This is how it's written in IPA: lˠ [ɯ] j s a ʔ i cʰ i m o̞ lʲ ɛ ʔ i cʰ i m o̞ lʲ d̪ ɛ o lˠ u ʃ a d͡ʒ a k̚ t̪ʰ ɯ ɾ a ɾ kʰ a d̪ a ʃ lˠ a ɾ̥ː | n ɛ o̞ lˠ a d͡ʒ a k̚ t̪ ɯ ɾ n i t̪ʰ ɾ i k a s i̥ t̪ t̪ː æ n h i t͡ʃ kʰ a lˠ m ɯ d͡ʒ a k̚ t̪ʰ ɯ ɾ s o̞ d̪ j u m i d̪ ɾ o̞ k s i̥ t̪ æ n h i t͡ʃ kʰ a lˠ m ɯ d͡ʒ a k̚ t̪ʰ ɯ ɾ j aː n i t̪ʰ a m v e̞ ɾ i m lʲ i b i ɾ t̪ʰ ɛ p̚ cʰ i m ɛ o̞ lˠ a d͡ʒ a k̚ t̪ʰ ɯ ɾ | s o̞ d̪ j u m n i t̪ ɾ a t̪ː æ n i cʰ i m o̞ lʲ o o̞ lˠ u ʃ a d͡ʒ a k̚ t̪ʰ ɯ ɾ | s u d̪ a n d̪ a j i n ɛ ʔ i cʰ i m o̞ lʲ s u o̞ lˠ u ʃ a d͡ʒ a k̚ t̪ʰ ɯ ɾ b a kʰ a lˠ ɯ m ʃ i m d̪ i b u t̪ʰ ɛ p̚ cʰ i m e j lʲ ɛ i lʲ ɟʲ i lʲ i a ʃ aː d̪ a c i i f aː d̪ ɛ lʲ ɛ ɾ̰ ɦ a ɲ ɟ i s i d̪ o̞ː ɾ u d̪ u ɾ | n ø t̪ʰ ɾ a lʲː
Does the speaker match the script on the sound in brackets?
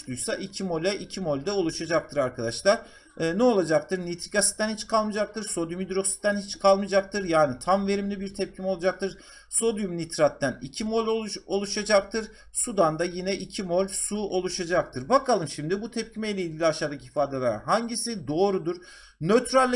no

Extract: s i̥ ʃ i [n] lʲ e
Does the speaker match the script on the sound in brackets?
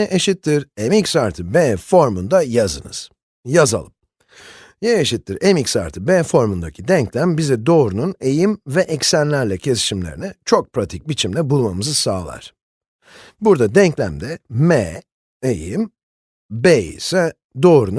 no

